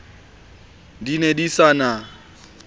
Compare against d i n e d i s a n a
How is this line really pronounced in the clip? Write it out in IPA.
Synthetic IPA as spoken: d i n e d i s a n a